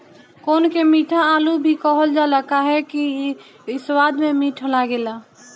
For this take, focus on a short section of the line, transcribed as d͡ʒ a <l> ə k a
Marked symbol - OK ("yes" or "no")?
yes